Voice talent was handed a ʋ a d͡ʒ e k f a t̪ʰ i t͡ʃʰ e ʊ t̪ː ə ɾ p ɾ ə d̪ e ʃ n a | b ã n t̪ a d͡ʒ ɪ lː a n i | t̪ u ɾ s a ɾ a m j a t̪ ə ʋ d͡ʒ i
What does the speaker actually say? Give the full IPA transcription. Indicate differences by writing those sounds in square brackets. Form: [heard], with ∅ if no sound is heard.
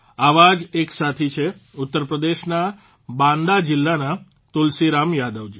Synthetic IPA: a ʋ a d͡ʒ e k [s] a t̪ʰ i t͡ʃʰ e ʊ t̪ː ə ɾ p ɾ ə d̪ e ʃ n a | b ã n [d̪] a d͡ʒ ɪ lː a n [a] | t̪ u [l] s [i] ɾ a m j a [d̪] ə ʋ d͡ʒ i